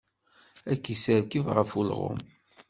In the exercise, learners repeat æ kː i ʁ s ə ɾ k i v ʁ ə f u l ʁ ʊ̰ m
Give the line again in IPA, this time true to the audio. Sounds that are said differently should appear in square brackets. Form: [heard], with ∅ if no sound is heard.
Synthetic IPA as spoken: æ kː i [∅] s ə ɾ k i v ʁ ə f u l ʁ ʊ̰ m